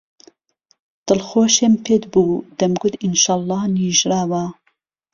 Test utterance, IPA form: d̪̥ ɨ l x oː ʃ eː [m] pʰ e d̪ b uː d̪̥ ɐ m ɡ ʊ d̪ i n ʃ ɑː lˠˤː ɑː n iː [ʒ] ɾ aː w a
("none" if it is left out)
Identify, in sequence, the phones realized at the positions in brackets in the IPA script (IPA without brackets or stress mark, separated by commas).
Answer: m, ʒ